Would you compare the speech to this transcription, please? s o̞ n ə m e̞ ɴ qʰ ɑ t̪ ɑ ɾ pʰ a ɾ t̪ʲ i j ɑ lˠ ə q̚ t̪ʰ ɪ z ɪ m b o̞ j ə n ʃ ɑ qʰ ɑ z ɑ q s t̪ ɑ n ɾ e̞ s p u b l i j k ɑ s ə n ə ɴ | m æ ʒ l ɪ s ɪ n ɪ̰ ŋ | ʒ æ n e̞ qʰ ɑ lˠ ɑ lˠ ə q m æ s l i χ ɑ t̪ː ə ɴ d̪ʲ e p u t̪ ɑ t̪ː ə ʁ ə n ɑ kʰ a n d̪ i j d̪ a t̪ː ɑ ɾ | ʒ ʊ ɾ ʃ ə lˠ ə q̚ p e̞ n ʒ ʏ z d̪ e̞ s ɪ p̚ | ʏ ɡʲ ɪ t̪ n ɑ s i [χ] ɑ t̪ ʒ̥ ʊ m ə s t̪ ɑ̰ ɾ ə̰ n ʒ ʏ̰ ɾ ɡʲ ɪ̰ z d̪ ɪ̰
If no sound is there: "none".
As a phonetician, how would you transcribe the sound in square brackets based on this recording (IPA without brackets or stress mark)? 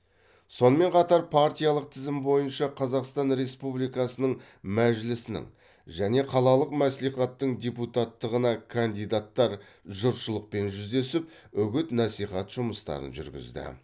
χ